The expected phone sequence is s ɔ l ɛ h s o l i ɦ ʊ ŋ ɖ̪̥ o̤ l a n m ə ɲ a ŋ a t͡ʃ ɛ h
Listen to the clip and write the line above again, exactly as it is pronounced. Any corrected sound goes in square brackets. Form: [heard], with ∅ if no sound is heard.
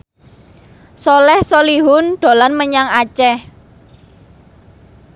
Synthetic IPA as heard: s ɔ l ɛ h s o l i ɦ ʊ [n] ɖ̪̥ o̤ l a n m ə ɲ a ŋ a t͡ʃ ɛ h

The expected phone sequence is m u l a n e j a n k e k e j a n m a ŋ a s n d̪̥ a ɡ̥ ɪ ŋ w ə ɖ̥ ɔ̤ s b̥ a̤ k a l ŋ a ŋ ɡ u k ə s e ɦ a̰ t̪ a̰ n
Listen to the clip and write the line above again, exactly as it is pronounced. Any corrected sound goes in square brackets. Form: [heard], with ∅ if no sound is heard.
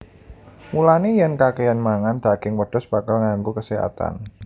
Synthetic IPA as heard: m u l a n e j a n k [a] k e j a n m a ŋ a [∅] n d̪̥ a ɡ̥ ɪ ŋ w ə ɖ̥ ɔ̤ s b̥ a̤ k a l ŋ a ŋ ɡ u k ə s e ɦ a̰ t̪ a̰ n

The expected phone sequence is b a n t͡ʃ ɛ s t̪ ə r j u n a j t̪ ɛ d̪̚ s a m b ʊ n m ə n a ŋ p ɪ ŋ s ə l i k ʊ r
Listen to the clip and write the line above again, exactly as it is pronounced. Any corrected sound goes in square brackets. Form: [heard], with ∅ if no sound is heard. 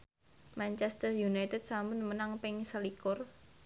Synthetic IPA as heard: [m] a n t͡ʃ ɛ s t̪ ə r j u n a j t̪ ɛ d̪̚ s a m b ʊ n m ə n a ŋ p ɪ ŋ s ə l i k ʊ r

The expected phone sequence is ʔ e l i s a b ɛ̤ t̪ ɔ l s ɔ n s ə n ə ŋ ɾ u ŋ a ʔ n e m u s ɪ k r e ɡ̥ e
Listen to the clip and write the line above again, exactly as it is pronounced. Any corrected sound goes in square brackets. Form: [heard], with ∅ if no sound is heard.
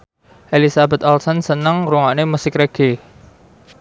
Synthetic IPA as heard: ʔ e l i s a b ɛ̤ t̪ ɔ l s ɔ n s ə n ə ŋ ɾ u ŋ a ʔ n e m u s ɪ k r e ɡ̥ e

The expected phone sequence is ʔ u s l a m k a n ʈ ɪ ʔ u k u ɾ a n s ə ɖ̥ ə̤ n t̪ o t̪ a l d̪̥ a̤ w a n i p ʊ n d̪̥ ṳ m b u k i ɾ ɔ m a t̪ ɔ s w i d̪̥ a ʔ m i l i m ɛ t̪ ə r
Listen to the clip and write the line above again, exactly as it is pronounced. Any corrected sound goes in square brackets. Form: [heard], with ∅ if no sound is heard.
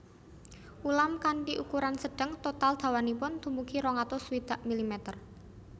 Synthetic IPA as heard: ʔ u [∅] l a m k a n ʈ [i] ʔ u k u ɾ a n s ə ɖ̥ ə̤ [ŋ] t̪ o t̪ a l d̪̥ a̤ w a n i p ʊ n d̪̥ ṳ m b u k i ɾ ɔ [ŋ] a t̪ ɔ s w i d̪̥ a ʔ m i l i m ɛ t̪ ə r

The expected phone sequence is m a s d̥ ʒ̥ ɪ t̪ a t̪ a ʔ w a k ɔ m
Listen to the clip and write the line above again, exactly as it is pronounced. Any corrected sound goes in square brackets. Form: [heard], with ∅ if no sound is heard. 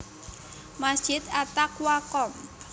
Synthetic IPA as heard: m a s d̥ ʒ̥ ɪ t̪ a t̪ a [k] w a k ɔ m

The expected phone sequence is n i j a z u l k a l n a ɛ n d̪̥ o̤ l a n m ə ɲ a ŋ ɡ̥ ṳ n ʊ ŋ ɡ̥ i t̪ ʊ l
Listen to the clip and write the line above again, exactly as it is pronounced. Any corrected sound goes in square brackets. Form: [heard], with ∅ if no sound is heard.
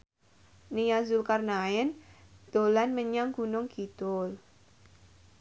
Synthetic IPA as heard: n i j a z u l k a [r] n a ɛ n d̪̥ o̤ l a n m ə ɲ a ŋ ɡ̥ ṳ n ʊ ŋ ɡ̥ i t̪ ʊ l

